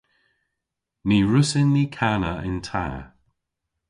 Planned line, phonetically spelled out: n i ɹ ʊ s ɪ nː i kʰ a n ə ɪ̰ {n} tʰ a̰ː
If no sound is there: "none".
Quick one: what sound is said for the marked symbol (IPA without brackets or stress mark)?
n